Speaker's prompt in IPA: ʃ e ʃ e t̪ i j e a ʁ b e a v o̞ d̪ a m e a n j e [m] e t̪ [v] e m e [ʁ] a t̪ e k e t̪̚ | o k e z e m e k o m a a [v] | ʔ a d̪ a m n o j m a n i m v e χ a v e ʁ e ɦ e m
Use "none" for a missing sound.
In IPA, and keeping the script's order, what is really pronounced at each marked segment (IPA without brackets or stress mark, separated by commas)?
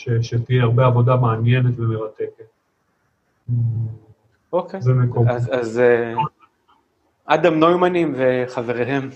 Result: n, v, ʁ, z